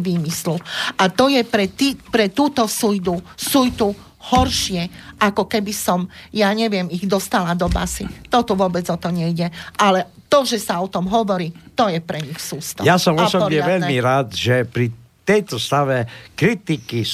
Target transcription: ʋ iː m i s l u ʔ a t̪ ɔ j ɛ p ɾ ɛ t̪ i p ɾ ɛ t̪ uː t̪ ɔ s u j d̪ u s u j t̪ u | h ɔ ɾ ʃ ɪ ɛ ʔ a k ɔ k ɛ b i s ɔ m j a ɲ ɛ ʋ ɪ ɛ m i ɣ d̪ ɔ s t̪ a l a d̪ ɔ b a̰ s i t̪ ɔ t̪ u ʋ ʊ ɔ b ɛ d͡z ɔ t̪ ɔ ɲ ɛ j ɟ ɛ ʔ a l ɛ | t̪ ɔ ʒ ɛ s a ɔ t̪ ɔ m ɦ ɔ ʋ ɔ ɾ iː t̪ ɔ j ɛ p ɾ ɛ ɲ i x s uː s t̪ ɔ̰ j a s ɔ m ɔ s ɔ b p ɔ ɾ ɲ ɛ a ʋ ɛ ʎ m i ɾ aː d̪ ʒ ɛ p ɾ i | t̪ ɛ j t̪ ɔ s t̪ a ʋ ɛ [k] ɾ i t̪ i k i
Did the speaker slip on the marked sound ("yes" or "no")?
no